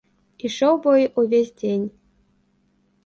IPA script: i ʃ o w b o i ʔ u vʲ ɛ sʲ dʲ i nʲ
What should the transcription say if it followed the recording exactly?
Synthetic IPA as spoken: i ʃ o w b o j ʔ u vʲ e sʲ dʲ e nʲ